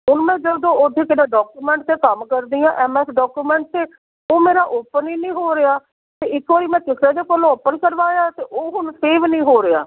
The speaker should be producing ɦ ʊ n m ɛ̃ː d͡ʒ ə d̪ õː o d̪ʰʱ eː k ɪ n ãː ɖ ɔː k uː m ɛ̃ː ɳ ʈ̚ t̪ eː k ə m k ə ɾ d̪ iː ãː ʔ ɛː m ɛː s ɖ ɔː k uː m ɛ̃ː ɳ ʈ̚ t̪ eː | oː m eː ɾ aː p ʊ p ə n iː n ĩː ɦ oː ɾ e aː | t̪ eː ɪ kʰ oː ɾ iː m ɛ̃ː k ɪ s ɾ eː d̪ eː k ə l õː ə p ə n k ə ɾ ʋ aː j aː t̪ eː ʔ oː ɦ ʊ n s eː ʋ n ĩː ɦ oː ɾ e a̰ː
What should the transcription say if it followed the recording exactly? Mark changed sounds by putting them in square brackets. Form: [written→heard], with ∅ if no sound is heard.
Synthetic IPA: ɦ ʊ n m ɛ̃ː d͡ʒ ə d̪ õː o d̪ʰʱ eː k ɪ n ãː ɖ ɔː k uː m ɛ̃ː ɳ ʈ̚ t̪ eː k ə m k ə ɾ d̪ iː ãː ʔ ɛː m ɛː s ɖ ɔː k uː m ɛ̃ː ɳ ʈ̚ t̪ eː | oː m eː ɾ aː [p→ʔ] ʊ p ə n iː n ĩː ɦ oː ɾ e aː | t̪ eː ɪ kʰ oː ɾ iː m ɛ̃ː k ɪ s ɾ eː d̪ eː k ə l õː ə p ə n k ə ɾ ʋ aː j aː t̪ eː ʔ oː ɦ ʊ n s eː ʋ n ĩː ɦ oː ɾ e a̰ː